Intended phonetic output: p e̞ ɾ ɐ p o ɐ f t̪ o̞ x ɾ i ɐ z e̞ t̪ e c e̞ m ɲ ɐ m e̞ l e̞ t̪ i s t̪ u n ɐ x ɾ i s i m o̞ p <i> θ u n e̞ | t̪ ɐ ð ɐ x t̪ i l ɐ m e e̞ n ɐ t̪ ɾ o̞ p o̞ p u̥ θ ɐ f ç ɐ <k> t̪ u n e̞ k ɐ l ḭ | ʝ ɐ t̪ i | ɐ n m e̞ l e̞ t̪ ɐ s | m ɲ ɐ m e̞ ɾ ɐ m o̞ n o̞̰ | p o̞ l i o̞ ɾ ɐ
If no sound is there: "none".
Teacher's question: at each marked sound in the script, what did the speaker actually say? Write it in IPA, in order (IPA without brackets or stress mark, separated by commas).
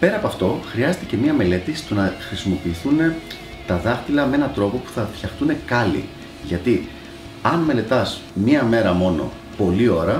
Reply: iː, x